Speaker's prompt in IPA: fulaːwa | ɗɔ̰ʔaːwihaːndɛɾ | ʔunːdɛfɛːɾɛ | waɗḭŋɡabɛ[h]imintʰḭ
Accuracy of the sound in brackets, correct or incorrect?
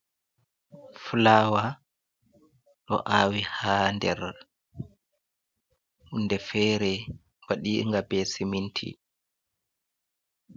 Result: incorrect